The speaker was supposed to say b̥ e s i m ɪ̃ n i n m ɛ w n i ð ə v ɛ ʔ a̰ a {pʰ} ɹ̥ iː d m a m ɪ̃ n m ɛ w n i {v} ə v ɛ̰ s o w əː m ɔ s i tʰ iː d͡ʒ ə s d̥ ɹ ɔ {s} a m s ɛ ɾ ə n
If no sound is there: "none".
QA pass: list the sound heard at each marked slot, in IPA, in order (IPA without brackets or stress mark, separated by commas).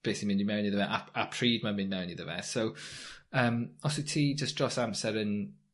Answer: pʰ, ð, s